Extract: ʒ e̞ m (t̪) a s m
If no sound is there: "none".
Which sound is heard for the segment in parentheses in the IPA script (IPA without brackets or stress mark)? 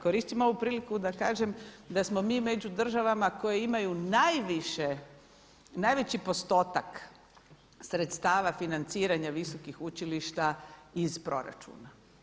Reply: d̪